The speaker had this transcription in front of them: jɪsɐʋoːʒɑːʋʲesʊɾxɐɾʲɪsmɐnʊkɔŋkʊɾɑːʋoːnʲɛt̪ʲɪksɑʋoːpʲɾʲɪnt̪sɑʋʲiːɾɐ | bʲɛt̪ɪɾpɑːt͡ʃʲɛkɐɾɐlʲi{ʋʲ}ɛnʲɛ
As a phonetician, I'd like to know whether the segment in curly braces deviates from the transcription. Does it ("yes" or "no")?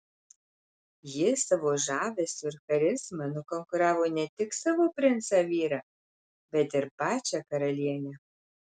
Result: yes